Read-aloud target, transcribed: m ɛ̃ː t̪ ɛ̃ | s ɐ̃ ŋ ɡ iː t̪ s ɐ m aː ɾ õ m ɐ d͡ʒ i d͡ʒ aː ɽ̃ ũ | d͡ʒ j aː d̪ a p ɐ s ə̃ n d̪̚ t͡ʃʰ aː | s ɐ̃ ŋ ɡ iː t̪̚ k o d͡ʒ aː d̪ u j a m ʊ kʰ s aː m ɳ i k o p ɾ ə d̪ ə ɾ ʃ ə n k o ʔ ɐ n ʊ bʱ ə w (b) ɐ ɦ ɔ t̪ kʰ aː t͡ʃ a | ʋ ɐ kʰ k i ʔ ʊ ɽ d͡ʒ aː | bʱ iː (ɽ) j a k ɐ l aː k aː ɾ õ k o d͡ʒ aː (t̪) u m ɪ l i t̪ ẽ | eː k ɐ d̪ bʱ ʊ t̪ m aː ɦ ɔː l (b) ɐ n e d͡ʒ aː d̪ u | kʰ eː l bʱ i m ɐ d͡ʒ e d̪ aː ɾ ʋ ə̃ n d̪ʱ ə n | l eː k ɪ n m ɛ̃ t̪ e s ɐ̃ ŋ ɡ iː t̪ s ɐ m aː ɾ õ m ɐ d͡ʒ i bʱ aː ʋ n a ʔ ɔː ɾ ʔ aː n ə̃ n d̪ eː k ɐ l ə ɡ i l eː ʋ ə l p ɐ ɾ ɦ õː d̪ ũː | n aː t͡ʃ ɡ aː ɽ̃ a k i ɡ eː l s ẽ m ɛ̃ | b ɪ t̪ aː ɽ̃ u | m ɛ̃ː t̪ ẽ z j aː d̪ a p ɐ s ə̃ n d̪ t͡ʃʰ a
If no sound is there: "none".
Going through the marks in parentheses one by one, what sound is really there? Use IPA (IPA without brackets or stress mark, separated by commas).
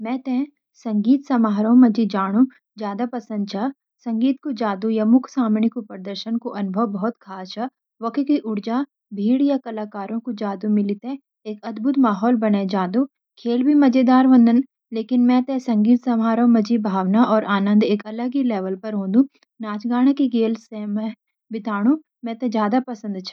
b, ɽ, d̪, b